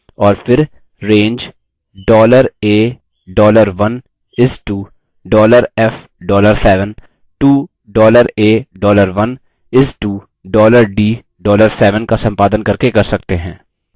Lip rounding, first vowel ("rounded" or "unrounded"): rounded